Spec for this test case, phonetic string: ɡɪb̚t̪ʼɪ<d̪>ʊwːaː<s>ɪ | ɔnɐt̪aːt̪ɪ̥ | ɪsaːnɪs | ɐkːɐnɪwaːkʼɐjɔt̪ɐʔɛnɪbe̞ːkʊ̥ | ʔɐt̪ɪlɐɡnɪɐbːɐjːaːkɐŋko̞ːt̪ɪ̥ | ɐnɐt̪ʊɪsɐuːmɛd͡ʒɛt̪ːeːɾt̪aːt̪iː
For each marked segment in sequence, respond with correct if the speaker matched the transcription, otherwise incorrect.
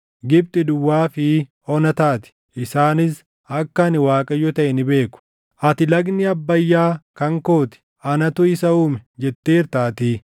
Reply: correct, incorrect

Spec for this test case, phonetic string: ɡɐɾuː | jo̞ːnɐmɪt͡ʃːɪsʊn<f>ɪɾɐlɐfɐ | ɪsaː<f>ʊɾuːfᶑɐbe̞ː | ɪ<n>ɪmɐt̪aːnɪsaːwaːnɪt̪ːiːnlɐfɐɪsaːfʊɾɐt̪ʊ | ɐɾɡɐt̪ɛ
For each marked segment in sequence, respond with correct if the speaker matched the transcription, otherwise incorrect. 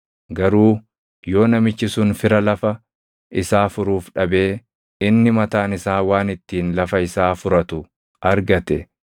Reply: correct, correct, incorrect

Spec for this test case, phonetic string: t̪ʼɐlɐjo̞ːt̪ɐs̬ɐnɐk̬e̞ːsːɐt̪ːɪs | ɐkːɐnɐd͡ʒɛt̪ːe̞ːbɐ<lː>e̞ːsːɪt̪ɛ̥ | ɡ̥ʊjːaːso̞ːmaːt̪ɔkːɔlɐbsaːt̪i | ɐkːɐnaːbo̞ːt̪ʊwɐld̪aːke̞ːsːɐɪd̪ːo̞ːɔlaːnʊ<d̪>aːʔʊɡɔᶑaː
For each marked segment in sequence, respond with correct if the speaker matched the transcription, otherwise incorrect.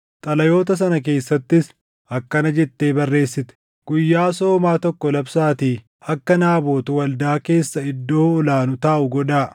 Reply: incorrect, incorrect

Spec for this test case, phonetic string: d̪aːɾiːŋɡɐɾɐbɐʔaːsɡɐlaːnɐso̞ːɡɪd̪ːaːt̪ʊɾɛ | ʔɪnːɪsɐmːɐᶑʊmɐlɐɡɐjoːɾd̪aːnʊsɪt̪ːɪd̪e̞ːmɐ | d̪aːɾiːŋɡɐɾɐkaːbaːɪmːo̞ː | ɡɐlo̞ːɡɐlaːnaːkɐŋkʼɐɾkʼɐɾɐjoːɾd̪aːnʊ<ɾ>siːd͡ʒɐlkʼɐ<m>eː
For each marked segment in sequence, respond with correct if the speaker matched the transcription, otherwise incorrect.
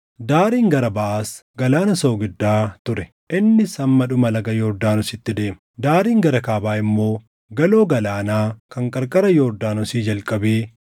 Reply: incorrect, incorrect

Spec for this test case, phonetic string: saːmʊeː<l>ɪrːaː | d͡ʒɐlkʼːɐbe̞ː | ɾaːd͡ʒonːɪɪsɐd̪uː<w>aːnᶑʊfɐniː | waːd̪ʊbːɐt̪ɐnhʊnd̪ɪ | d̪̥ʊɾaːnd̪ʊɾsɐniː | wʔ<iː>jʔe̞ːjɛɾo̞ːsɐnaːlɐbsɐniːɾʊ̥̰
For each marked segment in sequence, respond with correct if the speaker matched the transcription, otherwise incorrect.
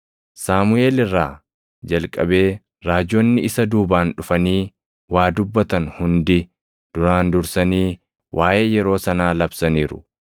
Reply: correct, incorrect, incorrect

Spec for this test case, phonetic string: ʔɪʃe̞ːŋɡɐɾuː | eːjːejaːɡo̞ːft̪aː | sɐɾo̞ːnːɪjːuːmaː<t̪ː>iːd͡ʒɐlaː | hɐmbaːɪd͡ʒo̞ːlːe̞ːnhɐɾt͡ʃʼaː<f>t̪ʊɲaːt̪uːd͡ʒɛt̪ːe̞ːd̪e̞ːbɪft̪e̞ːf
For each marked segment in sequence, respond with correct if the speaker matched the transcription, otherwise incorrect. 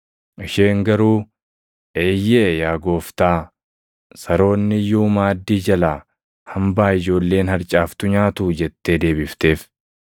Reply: incorrect, correct

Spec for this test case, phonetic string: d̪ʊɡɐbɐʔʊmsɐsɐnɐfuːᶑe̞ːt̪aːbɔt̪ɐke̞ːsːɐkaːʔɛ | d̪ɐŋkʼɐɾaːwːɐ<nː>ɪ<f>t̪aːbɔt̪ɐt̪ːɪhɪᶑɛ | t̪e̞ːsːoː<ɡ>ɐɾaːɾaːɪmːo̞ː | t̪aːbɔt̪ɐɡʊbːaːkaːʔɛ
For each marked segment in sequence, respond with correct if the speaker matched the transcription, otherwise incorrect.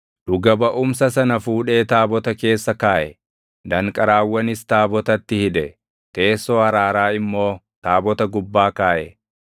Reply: incorrect, incorrect, incorrect

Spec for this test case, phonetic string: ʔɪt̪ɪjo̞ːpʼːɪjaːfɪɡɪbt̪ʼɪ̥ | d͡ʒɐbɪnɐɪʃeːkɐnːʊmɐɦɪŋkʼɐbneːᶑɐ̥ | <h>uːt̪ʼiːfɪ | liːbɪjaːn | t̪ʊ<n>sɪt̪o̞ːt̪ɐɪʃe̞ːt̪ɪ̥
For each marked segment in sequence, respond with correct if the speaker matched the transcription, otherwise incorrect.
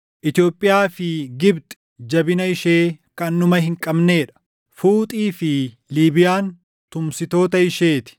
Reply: incorrect, incorrect

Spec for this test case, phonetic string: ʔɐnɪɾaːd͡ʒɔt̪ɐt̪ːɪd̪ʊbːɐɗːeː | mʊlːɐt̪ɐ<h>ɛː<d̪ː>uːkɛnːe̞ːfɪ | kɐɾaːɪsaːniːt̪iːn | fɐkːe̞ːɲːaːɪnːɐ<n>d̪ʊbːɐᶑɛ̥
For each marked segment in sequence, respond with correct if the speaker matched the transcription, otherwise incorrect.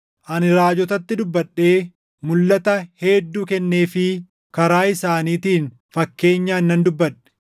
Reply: correct, correct, correct

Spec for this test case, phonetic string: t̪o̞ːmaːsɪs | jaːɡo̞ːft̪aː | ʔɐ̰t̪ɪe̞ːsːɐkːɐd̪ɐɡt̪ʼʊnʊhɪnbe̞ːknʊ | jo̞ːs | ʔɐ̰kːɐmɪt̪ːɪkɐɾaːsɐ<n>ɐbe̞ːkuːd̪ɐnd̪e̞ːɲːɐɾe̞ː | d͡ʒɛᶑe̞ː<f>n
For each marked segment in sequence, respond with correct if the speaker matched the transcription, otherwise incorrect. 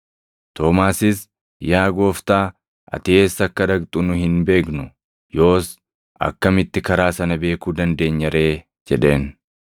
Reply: correct, incorrect

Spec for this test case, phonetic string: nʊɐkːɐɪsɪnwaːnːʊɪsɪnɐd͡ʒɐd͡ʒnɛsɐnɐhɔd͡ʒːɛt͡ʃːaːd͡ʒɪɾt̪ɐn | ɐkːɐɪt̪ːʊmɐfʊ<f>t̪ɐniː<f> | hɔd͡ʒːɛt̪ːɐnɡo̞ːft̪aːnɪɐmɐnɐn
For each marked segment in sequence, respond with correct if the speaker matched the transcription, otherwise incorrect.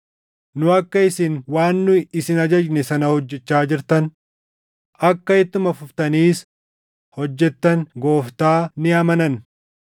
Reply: correct, incorrect

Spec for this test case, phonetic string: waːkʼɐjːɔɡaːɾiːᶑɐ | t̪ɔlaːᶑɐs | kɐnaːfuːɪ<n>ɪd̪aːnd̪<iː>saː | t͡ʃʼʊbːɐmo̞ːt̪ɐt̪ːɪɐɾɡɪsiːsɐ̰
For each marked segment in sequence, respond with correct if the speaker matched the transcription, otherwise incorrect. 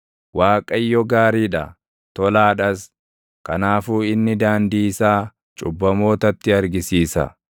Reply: incorrect, correct

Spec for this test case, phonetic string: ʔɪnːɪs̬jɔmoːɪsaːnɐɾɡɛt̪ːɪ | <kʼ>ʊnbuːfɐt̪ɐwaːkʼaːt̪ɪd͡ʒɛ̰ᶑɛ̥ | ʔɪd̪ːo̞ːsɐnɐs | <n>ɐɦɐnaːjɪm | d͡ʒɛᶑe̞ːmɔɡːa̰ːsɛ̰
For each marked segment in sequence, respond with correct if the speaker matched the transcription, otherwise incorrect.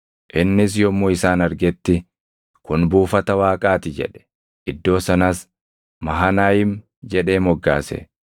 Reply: incorrect, incorrect

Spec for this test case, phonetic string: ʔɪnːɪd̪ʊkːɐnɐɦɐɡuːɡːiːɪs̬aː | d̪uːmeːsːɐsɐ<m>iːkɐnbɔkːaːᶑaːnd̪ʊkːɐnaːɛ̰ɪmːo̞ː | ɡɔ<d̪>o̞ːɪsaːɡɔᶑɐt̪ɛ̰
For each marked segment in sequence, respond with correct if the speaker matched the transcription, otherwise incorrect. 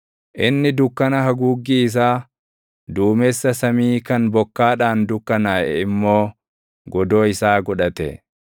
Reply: correct, correct

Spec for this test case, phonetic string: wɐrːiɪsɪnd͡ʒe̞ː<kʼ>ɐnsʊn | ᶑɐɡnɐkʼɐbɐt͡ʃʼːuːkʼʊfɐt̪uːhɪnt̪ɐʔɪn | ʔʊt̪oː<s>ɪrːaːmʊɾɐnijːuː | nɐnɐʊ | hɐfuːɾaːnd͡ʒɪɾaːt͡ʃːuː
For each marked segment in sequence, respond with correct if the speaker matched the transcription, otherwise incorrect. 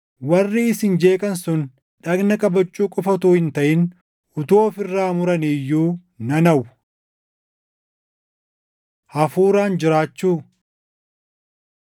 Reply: correct, incorrect

